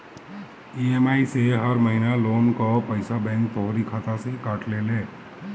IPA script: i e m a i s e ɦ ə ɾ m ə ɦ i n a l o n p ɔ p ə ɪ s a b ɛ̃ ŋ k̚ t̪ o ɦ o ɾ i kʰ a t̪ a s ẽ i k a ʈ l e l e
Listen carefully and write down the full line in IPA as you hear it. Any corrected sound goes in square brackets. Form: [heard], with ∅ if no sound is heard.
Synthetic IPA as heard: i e m a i s e ɦ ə ɾ m ə ɦ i n a l o n [k] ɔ p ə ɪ s a b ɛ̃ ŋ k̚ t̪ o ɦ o ɾ i kʰ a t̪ a s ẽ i k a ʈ l e l e